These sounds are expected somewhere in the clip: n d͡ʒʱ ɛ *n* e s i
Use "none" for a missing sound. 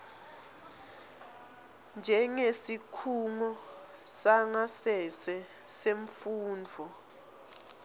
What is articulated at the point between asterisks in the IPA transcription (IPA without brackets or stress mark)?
ŋ